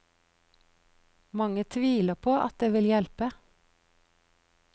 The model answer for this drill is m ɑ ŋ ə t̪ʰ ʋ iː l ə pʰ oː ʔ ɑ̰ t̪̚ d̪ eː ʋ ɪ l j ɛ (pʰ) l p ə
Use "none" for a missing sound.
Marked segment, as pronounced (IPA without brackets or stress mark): none